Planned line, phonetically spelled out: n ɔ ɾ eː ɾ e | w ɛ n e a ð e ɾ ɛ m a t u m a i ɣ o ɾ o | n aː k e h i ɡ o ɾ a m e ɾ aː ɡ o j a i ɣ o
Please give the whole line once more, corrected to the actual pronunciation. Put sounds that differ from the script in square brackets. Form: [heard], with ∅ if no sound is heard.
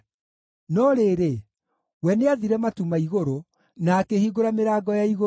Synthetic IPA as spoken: n ɔ ɾ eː ɾ e | w ɛ n e a ð [i] ɾ ɛ m a t u m a i ɣ o ɾ o | n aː k e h i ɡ o ɾ a m e ɾ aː ɡ [ɔ] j a i ɣ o